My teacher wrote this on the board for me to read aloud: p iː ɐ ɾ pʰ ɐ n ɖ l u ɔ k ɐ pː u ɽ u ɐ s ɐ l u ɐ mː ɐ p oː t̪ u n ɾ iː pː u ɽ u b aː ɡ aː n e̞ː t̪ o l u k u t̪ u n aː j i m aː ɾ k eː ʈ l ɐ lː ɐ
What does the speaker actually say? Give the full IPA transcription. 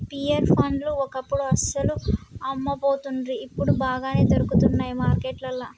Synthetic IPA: p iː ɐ ɾ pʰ ɐ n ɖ l u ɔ k ɐ pː u ɽ u ɐ s ɐ l u ɐ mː ɐ p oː t̪ u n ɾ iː pː u ɽ u b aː ɡ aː n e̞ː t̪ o ɾ u k u t̪ u nː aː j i m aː ɾ k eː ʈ l ɐ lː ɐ